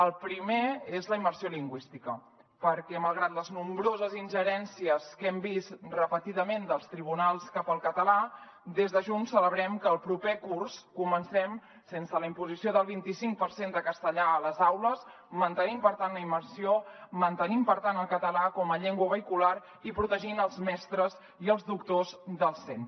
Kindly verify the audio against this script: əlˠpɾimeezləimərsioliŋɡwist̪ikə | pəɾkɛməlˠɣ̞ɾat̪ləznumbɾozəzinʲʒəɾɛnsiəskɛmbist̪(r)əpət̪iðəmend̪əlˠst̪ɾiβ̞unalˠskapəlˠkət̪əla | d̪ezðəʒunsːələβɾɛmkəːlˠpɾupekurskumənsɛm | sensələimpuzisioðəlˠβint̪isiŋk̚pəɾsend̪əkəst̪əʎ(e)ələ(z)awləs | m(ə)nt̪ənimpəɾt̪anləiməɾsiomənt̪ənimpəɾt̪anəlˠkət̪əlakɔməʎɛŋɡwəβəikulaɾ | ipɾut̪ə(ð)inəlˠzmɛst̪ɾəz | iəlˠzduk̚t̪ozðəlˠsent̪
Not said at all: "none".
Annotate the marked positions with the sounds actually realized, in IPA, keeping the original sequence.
r, a, z, ə, ʒ

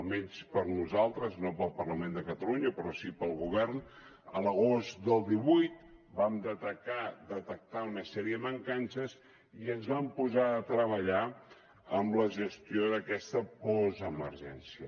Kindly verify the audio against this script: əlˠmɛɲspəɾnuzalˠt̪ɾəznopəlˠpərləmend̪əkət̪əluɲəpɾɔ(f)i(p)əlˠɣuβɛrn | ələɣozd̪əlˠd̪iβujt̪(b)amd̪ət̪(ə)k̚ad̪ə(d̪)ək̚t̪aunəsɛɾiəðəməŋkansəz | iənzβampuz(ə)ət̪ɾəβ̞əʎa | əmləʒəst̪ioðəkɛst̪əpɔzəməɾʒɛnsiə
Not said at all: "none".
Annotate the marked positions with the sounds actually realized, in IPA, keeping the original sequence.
s, p, b, ə, t̪, a

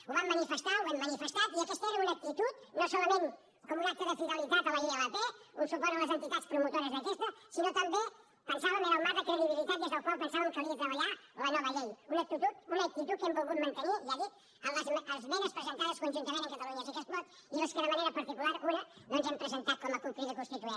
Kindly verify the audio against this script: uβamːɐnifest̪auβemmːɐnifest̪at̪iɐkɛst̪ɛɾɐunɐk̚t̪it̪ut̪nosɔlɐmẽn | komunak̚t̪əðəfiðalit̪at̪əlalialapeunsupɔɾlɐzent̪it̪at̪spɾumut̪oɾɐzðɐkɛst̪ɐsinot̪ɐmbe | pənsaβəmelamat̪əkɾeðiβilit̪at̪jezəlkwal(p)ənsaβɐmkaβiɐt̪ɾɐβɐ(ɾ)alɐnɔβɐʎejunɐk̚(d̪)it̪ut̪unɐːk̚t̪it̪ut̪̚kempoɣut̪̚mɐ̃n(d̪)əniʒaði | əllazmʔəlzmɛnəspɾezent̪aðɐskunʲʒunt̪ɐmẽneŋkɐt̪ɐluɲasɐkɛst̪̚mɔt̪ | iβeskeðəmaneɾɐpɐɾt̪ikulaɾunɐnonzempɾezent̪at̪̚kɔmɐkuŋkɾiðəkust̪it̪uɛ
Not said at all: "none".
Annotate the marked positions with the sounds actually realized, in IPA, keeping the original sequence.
p, ʎ, t̪, t̪

